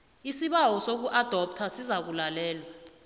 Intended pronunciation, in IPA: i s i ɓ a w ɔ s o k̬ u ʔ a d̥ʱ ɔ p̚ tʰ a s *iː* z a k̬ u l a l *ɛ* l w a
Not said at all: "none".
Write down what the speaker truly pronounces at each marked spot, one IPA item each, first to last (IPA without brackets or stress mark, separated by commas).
i, ɛː